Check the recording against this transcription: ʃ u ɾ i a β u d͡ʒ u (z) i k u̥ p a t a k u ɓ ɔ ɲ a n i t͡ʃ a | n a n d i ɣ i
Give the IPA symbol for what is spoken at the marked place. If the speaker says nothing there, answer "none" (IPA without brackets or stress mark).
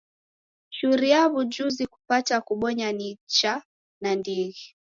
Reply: z